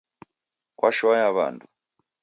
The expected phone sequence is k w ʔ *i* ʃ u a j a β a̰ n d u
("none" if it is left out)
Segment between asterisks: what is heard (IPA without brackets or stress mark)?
a